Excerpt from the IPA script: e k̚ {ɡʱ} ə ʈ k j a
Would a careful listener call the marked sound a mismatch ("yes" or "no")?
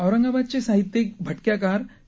yes